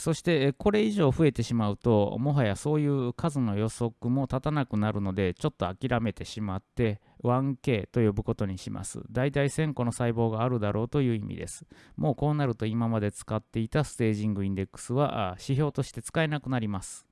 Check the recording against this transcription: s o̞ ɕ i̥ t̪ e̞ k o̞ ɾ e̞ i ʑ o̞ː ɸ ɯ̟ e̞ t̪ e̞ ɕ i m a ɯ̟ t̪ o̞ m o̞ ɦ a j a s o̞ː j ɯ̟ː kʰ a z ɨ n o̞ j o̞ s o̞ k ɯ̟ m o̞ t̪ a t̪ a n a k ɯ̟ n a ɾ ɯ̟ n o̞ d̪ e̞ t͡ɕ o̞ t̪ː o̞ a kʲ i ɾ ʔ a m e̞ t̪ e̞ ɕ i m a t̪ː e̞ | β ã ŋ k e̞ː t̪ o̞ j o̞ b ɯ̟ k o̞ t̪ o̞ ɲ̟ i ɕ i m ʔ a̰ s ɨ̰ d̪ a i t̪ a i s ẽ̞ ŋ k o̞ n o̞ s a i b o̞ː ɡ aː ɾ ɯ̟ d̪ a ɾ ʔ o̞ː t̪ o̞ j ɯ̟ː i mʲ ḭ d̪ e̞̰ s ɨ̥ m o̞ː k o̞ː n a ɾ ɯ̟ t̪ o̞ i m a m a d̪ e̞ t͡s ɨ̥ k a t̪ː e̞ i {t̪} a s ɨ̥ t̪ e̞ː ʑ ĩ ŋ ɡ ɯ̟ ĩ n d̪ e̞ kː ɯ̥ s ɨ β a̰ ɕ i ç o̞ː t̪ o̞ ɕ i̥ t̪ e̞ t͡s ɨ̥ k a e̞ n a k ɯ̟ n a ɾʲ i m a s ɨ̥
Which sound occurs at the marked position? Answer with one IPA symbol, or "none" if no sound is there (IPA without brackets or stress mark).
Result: t̪